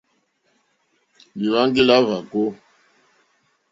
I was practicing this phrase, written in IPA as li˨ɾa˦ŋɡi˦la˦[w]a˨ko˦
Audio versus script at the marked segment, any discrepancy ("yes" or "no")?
yes